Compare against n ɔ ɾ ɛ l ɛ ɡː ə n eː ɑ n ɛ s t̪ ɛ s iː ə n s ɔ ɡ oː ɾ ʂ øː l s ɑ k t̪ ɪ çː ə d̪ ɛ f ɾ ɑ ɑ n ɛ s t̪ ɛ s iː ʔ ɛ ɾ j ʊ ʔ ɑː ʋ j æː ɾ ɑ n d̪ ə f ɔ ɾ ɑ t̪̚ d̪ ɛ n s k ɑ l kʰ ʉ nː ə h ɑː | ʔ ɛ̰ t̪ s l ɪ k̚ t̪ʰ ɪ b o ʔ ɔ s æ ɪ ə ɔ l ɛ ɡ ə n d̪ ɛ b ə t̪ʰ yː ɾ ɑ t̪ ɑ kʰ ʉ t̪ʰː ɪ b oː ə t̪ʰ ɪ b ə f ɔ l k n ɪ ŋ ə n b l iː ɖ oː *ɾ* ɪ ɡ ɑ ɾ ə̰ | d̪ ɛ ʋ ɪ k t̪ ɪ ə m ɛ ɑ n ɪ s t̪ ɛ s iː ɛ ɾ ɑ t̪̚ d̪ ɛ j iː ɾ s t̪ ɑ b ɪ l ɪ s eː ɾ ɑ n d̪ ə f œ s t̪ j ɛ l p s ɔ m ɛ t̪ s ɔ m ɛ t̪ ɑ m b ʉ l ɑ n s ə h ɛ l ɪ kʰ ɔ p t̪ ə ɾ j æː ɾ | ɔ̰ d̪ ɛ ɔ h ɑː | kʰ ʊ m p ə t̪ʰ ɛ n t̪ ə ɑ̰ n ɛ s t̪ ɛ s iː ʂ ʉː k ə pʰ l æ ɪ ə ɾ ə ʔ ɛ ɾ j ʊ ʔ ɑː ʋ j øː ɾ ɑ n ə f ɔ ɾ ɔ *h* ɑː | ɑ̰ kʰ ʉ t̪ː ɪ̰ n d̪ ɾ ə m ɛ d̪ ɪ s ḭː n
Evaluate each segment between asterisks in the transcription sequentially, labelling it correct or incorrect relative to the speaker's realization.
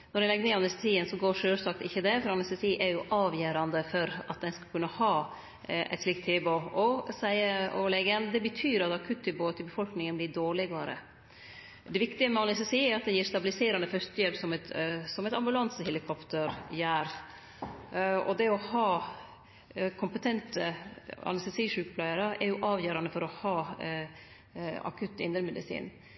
incorrect: ɭ, correct

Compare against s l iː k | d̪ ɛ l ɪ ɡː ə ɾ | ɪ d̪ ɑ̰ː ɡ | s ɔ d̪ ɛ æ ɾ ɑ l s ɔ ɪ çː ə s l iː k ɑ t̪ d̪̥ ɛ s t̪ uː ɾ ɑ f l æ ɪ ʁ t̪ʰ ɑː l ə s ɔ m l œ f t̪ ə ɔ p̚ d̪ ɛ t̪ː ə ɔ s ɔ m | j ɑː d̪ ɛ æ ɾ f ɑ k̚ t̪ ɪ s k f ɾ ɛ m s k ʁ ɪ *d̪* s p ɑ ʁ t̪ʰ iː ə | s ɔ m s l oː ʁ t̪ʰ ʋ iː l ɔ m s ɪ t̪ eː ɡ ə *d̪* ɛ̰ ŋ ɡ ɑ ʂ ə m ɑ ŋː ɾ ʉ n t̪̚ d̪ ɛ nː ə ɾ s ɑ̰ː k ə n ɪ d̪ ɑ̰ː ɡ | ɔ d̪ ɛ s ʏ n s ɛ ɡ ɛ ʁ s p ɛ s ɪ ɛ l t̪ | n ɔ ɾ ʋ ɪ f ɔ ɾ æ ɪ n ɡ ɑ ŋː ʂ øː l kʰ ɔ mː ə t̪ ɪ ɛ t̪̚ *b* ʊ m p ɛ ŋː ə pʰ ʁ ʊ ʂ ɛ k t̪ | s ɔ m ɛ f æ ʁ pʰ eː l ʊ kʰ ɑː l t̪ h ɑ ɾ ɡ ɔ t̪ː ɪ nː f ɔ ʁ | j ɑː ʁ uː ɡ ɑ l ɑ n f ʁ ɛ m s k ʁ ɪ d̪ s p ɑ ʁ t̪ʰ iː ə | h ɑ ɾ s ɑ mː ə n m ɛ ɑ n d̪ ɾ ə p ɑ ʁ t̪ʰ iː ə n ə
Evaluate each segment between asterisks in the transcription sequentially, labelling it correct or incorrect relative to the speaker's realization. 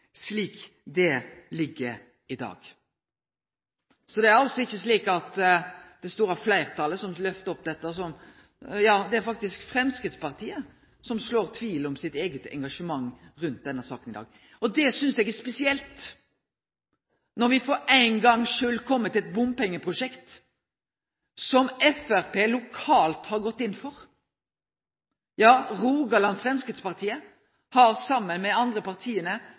incorrect: t̪, incorrect: t̪, correct

